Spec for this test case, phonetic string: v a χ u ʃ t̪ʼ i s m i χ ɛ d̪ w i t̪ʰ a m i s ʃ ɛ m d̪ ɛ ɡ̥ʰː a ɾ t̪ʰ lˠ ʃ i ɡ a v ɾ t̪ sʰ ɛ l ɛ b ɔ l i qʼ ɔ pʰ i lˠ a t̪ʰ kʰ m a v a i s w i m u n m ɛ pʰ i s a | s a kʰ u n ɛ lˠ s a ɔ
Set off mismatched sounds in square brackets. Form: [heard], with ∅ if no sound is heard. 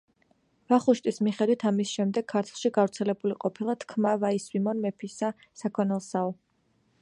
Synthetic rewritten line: v a χ u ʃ t̪ʼ i s m i χ ɛ d̪ w i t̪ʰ a m i s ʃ ɛ m d̪ ɛ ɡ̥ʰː a ɾ t̪ʰ lˠ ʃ i ɡ a v ɾ t̪ sʰ ɛ l ɛ b [u] l i qʼ ɔ pʰ i lˠ a t̪ʰ kʰ m a v a i s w i m [ɔ] n m ɛ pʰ i s a | s a kʰ [ɔ] n ɛ lˠ s a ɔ

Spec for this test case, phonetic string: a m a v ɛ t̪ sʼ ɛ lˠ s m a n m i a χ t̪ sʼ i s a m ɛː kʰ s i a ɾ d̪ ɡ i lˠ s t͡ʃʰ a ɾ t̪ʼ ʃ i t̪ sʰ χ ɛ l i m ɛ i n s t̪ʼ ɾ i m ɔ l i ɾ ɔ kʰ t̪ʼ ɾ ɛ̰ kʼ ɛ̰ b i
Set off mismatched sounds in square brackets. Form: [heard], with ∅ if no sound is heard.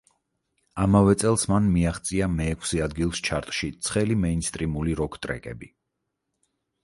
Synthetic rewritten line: a m a v ɛ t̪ sʼ ɛ lˠ s m a n m i a χ t̪ sʼ i [∅] a m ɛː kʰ s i a [∅] d̪ ɡ i lˠ s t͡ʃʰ a ɾ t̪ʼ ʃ i t̪ sʰ χ ɛ l i m ɛ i n s t̪ʼ ɾ i m [u] l i ɾ ɔ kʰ t̪ʼ ɾ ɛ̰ kʼ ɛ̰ b i

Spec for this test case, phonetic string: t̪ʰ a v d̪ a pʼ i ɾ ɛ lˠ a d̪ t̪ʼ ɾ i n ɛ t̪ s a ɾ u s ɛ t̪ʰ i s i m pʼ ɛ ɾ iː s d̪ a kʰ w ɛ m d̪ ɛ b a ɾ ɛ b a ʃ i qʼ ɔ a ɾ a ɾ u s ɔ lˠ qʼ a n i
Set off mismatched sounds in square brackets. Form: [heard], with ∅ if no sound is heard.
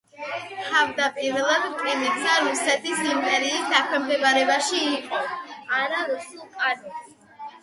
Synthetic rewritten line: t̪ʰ a v d̪ a pʼ i ɾ ɛ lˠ a d̪ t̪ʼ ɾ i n ɛ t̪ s a ɾ u s ɛ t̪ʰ i s i m pʼ ɛ ɾ iː s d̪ a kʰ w ɛ m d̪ ɛ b a ɾ ɛ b a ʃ [iː] qʼ ɔ a ɾ a ɾ u s [u] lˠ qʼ a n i

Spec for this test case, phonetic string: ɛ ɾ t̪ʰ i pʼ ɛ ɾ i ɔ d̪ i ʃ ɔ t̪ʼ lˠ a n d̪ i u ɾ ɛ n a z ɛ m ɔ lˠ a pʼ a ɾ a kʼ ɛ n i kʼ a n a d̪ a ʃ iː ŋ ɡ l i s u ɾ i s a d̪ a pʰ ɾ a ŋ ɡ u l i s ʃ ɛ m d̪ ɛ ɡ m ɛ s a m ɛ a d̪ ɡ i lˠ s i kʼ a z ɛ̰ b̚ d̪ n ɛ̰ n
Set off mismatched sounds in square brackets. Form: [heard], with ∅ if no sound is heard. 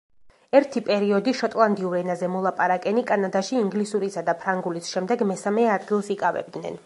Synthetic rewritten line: ɛ ɾ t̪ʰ i pʼ ɛ ɾ i ɔ d̪ i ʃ ɔ t̪ʼ lˠ a n d̪ i u ɾ ɛ n a z ɛ m ɔ lˠ a pʼ a ɾ a kʼ ɛ n i kʼ a n a d̪ a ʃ iː ŋ ɡ l i s u ɾ i s a d̪ a pʰ ɾ a ŋ ɡ u l i s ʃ ɛ m d̪ ɛ ɡ m ɛ s a m ɛ a d̪ ɡ i lˠ s i kʼ a [v] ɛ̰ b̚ d̪ n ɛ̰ n

